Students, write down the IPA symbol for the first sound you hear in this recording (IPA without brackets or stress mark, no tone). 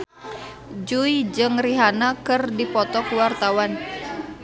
d͡ʒ